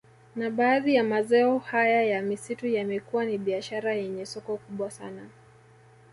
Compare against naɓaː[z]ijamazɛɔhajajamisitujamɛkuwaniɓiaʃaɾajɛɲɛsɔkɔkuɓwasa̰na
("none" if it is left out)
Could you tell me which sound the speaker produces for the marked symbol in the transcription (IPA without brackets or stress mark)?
ð